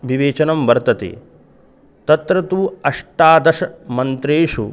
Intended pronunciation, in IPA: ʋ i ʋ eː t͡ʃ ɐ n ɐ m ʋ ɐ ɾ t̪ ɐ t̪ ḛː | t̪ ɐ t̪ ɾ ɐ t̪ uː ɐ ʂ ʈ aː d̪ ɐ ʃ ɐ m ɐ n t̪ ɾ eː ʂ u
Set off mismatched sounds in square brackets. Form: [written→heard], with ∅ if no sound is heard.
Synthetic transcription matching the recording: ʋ i ʋ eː t͡ʃ ɐ n ɐ m ʋ ɐ ɾ t̪ ɐ t̪ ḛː | t̪ ɐ t̪ ɾ ɐ t̪ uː ɐ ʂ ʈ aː d̪ ɐ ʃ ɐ m ɐ n t̪ ɾ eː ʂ u